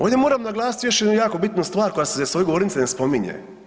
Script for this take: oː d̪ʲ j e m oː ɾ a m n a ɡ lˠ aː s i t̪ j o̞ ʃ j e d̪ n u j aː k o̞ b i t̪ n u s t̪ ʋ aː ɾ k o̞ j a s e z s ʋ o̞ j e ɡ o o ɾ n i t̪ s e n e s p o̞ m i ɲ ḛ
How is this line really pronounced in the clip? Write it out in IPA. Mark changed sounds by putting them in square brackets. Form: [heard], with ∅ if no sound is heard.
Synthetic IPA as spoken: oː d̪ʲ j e m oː ɾ a m n a ɡ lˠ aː s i t̪ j o̞ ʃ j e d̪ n u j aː k o̞ b i t̪ n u s t̪ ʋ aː ɾ k o̞ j a s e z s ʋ o̞ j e ɡ o o ɾ n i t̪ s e n e s p o̞ m i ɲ ḛ